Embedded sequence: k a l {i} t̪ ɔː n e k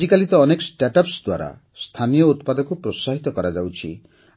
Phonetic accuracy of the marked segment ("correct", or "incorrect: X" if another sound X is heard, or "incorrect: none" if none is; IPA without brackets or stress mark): correct